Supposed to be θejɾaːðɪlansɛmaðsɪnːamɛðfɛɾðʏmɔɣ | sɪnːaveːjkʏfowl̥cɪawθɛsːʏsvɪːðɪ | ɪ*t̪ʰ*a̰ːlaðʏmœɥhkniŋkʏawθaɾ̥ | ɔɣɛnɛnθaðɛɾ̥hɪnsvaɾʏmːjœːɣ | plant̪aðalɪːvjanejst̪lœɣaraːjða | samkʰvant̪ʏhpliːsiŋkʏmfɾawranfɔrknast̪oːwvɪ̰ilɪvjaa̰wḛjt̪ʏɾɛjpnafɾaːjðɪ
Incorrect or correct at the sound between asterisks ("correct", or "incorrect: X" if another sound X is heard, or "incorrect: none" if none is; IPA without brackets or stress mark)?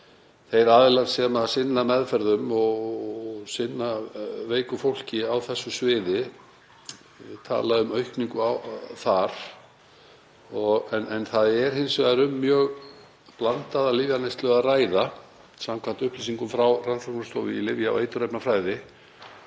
correct